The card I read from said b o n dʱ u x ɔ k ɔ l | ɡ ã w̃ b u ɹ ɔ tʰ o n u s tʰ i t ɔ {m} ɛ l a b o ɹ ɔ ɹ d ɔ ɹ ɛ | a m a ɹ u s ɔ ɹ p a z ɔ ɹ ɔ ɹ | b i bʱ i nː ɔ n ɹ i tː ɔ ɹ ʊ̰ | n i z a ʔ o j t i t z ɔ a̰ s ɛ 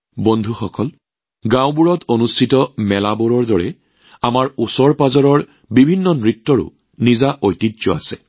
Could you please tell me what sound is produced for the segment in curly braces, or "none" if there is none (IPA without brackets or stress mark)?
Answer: m